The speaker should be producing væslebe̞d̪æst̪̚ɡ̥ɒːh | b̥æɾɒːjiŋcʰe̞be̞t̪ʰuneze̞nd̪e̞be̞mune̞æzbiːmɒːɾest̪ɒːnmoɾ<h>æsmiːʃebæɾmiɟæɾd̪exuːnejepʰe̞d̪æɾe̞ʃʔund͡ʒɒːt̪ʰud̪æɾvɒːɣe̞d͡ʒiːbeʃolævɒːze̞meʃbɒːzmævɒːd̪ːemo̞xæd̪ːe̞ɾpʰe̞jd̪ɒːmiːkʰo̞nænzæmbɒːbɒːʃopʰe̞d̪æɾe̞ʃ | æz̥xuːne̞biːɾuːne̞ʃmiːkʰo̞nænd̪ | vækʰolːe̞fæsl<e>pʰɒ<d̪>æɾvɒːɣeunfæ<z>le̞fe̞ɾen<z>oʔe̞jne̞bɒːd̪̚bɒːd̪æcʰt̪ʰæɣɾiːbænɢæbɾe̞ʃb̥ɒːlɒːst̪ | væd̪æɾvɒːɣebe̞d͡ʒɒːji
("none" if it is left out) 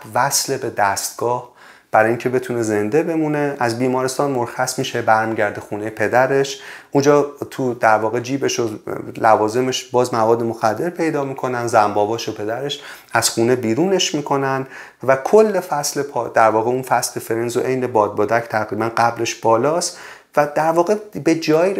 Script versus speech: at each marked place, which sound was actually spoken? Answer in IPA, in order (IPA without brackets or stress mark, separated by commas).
x, e, d̪, s, z